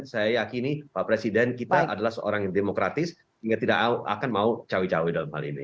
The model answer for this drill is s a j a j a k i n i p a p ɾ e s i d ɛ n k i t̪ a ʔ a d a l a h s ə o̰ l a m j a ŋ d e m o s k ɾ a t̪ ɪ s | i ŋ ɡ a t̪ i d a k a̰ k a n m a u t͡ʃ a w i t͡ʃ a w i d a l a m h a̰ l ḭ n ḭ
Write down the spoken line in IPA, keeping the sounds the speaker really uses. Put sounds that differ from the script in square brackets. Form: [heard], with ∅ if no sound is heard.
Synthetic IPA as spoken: s a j a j a k i n i p a p ɾ e s i d ɛ n k i t̪ a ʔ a d a l a h s ə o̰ [ɾ] a [ŋ] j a ŋ d e m o [∅] k ɾ a t̪ ɪ s | i ŋ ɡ a t̪ i d a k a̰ k a n m a u t͡ʃ a w i t͡ʃ a w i d a l a m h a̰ l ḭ n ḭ